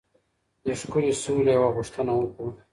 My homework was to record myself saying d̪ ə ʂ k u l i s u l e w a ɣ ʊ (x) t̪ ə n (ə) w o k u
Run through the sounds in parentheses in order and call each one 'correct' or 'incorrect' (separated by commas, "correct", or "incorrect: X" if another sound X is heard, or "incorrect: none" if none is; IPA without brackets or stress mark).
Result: incorrect: ʂ, incorrect: a